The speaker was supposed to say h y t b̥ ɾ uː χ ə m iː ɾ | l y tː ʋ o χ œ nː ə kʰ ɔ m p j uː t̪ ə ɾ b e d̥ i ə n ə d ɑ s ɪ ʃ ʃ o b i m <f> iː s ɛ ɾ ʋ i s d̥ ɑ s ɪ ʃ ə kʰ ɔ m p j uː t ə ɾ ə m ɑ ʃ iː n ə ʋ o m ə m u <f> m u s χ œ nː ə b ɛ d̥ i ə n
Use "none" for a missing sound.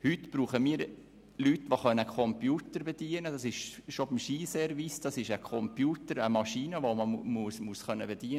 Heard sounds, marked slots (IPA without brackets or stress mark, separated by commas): ʃ, s